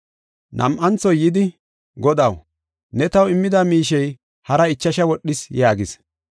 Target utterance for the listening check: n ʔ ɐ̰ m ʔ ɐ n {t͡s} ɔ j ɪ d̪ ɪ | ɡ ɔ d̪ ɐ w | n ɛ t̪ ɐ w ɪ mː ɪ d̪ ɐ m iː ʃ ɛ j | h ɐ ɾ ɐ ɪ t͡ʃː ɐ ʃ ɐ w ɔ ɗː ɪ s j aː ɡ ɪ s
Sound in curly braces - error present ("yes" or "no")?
no